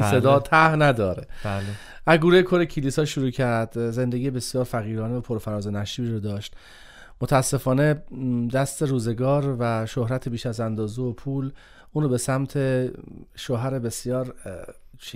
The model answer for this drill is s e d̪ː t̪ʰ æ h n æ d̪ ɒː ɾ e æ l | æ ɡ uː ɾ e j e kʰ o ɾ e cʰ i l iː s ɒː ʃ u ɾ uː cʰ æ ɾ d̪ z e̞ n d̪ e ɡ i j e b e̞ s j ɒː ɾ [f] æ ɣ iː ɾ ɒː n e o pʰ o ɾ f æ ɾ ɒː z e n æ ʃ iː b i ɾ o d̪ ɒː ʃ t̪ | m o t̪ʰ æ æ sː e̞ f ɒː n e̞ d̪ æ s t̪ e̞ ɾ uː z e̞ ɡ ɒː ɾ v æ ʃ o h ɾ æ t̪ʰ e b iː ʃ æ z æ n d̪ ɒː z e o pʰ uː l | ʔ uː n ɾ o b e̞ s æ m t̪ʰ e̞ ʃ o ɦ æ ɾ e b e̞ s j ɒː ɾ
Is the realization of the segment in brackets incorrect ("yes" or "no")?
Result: no